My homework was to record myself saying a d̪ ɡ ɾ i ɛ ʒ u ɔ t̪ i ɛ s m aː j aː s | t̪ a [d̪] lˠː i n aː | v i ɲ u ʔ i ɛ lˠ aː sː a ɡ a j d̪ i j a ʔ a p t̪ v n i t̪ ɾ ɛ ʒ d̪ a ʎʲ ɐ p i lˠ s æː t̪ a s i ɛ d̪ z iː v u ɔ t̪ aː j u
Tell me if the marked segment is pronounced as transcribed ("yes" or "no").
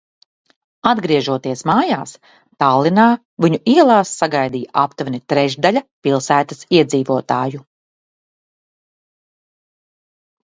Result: no